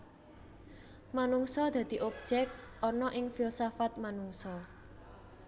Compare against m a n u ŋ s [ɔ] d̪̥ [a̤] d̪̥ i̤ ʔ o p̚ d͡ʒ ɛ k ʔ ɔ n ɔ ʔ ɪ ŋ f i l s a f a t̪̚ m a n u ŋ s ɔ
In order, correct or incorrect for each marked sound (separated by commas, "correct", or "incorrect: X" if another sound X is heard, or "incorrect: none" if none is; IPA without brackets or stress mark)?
correct, correct